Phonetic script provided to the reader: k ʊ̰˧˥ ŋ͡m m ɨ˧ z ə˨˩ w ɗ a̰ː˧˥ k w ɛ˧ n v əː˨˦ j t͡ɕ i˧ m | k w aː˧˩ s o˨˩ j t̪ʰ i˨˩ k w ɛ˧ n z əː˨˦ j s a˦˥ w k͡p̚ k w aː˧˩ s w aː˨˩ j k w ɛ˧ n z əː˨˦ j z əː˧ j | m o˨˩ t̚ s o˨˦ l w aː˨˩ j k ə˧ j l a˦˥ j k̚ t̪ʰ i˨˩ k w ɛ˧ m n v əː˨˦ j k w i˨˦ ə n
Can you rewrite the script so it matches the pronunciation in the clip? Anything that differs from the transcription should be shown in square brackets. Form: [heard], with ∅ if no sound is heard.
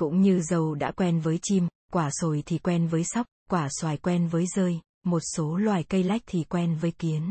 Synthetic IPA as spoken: k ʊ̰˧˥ ŋ͡m [ɲ] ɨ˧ z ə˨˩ w ɗ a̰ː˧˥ k w ɛ˧ n v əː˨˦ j t͡ɕ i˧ m | k w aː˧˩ s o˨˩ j t̪ʰ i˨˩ k w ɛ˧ n [v] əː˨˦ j s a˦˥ w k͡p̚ k w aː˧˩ s w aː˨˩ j k w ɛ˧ n [v] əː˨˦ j z əː˧ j | m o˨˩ t̚ s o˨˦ l w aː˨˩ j k ə˧ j l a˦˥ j k̚ t̪ʰ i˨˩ k w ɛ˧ [∅] n v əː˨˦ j k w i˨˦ ə n